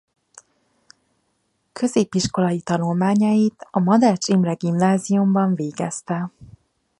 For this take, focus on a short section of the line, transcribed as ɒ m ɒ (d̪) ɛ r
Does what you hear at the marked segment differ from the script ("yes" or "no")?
no